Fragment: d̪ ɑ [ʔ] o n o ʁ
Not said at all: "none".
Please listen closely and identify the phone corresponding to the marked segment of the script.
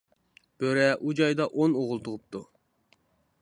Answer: ʔ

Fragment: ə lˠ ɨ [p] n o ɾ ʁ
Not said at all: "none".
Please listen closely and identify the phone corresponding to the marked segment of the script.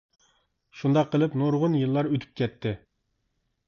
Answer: p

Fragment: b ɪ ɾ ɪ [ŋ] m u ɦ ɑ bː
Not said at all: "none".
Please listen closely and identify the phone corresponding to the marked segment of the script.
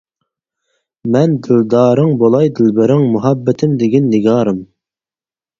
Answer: ŋ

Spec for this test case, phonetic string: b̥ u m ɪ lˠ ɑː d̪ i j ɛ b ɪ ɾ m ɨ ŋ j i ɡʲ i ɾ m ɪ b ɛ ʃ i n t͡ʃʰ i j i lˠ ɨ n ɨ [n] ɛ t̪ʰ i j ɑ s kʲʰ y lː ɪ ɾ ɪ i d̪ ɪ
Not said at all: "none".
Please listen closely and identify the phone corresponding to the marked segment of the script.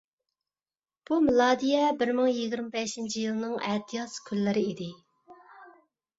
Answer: ŋ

